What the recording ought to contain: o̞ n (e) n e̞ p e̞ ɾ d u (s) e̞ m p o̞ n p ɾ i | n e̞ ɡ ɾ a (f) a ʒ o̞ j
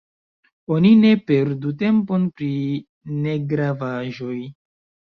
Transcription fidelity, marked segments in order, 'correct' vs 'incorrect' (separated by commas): incorrect, incorrect, incorrect